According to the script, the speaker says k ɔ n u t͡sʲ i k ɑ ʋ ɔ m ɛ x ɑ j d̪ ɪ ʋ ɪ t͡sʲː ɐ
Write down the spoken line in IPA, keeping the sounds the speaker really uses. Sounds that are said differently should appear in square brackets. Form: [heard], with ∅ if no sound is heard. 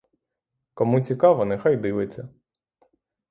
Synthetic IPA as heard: k ɔ [m] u t͡sʲ i k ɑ ʋ ɔ [n] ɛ x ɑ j d̪ ɪ ʋ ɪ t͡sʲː ɐ